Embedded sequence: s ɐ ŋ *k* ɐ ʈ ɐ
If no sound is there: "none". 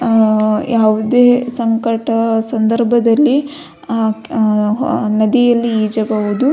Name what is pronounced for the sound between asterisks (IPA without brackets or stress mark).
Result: k